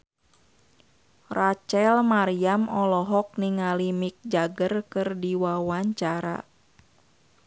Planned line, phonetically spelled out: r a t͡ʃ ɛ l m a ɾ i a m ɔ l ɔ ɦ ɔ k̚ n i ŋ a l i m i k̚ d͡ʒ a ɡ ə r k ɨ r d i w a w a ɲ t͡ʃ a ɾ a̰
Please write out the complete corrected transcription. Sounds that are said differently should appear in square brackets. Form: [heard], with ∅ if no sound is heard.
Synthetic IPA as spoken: r a t͡ʃ ɛ l m a ɾ i a m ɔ l ɔ ɦ ɔ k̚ n i ŋ a l i m i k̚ d͡ʒ a ɡ ə r k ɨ r d i w a w a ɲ t͡ʃ a ɾ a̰